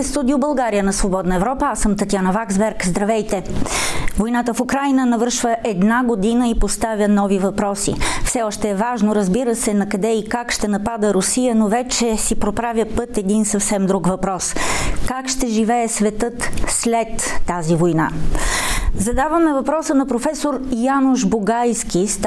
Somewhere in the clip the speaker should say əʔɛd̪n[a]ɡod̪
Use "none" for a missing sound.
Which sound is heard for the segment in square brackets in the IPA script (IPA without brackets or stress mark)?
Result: a